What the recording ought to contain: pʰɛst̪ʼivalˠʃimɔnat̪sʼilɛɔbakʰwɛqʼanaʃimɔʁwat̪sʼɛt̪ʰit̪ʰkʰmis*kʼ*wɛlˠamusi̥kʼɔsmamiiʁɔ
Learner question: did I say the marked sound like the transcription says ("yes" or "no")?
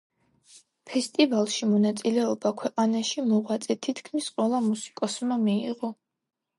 no